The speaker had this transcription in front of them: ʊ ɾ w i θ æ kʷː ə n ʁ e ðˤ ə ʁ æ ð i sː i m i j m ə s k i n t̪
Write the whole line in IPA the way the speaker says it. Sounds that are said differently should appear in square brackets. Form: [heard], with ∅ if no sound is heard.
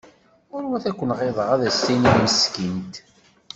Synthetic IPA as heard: ʊ ɾ w [æ] θ æ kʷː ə n ʁ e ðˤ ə ʁ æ ð [æ] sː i [n] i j m ə s k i n t̪